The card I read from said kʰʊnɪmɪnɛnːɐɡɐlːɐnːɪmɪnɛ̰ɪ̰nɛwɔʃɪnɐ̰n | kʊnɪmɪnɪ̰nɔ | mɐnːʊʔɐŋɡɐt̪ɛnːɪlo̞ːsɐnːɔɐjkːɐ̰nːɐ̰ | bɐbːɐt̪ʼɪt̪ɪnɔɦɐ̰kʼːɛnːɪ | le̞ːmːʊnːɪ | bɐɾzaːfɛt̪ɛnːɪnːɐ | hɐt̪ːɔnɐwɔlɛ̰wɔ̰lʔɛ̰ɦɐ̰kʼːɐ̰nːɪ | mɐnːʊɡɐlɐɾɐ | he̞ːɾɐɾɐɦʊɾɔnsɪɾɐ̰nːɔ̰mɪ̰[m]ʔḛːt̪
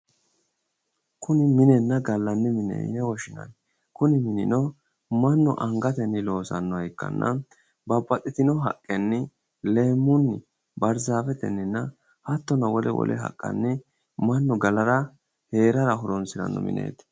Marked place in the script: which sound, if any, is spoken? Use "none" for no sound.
n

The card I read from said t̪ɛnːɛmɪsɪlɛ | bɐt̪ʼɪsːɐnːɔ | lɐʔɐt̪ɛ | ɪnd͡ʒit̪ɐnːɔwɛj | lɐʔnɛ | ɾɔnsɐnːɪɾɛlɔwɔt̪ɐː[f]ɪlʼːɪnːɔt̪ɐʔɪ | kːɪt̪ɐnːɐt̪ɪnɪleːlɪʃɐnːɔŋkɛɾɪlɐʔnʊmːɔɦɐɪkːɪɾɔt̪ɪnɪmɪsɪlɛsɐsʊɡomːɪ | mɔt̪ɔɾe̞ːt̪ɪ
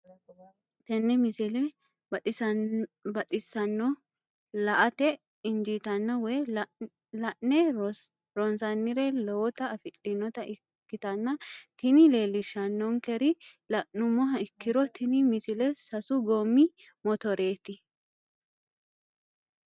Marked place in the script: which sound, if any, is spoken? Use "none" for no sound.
f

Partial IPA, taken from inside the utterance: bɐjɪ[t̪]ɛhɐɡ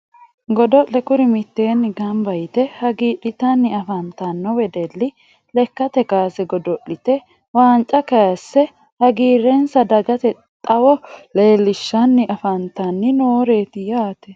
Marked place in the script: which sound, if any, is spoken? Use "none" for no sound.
t̪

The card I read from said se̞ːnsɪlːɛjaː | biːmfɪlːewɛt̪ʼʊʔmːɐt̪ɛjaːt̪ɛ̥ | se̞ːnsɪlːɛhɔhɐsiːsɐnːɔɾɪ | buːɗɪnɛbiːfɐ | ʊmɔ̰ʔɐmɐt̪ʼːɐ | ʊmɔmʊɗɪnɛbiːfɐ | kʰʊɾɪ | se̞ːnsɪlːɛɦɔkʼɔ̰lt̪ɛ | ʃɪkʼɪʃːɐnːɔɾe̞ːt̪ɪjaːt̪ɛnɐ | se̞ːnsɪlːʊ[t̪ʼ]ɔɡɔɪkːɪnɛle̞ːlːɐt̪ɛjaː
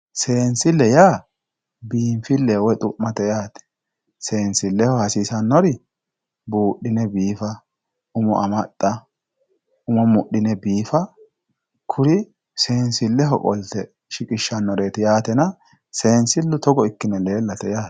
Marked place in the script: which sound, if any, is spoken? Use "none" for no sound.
t̪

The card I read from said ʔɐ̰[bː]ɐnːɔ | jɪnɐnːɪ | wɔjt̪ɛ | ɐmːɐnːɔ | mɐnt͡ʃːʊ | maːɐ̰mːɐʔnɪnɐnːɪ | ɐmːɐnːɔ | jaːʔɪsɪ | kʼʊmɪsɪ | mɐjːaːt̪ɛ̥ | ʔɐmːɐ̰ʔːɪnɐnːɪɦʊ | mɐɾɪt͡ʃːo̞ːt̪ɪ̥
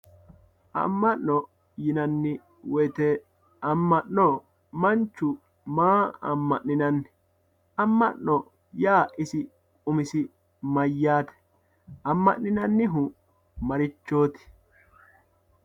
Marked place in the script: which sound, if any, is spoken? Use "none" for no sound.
mː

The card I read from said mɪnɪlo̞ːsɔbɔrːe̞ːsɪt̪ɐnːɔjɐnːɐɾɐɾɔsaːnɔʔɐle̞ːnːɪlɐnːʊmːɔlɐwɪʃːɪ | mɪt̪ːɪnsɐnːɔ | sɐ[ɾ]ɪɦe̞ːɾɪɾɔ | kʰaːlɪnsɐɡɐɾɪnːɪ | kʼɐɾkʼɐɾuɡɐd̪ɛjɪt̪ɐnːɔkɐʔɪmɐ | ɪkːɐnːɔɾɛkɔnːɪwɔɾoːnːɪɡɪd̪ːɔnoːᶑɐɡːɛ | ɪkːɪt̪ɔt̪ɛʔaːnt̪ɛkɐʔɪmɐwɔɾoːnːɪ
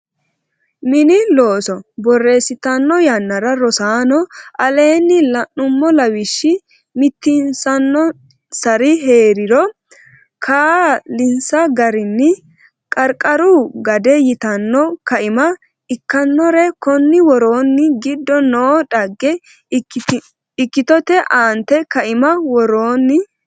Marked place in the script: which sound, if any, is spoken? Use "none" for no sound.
ɾ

